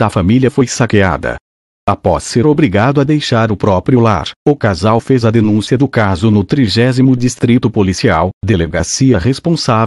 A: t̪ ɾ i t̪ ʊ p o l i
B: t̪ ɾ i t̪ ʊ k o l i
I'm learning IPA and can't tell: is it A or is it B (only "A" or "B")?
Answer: A